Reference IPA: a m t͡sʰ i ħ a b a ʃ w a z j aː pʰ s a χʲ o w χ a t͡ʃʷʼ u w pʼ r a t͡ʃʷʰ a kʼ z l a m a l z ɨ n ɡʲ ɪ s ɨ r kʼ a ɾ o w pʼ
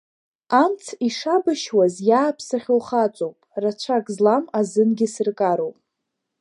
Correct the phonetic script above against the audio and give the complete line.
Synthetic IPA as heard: a m t͡sʰ i ʂ a b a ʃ w a z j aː pʰ s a χʲ o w χ a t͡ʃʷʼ o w pʼ r a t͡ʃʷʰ a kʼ z l a m a z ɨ n ɡʲ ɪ s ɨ r kʼ a ɾ o w pʼ